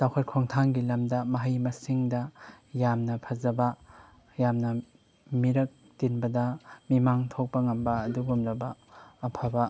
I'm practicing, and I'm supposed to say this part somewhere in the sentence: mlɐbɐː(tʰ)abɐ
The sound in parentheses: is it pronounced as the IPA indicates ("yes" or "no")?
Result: no